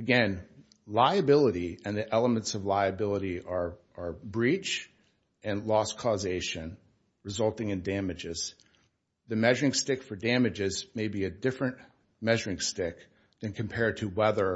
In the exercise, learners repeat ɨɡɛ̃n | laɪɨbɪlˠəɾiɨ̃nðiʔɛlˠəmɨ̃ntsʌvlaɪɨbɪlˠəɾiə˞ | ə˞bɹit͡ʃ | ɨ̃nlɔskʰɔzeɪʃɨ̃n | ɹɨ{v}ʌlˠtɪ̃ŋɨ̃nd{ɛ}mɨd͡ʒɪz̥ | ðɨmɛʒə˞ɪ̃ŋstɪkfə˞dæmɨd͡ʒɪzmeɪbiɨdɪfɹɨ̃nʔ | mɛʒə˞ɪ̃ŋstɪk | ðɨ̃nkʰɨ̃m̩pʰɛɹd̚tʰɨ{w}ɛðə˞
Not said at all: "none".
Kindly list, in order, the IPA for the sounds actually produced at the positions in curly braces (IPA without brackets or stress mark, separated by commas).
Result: z, æ, w